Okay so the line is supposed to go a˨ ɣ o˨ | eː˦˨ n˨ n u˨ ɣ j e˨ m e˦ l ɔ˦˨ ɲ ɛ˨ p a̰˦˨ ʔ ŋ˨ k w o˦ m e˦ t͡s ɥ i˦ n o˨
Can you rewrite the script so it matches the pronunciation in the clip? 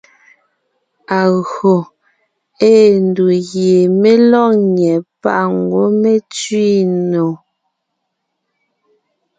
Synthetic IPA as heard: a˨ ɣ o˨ | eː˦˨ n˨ d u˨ ɣ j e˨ m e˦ l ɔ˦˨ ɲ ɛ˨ p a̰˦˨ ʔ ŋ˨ ɡ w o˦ m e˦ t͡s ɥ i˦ n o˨